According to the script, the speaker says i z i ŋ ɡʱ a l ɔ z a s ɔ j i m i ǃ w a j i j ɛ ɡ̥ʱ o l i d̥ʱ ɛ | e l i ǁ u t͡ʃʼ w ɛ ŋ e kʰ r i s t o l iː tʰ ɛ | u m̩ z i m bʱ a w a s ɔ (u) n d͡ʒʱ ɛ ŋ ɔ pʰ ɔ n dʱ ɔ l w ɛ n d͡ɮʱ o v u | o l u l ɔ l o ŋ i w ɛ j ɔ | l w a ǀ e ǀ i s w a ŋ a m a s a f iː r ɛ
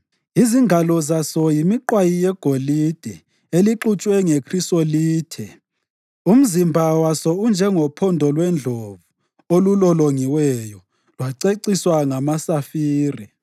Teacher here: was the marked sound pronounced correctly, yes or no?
yes